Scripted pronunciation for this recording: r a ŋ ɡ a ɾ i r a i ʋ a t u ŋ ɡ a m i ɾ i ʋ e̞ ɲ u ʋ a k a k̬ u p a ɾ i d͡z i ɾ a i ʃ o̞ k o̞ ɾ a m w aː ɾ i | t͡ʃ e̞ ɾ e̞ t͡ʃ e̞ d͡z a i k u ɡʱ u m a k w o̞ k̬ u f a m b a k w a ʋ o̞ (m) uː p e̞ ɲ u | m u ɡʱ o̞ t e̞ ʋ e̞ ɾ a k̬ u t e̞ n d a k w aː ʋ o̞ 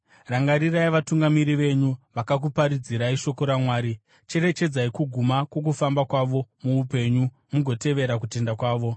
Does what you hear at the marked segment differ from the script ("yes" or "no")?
no